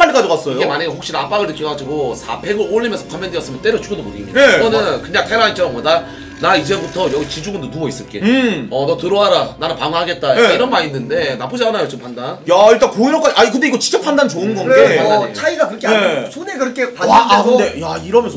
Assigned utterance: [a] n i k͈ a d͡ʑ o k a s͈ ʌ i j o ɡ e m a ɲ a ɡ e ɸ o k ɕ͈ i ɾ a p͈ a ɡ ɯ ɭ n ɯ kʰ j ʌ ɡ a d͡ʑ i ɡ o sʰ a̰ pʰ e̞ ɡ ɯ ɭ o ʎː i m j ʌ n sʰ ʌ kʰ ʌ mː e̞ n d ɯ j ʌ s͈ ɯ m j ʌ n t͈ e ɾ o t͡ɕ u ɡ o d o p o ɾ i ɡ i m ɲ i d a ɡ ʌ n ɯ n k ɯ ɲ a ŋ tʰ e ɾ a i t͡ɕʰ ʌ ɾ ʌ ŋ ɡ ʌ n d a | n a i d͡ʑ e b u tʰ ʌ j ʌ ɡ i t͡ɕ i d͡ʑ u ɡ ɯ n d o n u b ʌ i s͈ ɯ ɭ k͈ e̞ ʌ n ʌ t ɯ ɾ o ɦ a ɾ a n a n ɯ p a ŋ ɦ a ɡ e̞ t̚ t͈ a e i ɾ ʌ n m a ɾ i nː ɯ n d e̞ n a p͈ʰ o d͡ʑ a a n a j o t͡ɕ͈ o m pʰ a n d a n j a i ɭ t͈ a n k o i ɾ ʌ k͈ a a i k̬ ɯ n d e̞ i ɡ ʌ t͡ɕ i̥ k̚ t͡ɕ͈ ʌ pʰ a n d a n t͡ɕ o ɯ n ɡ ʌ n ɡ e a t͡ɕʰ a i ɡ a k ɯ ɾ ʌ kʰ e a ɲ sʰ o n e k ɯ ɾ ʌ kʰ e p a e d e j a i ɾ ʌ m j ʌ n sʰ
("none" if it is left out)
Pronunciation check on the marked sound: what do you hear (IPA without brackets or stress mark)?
a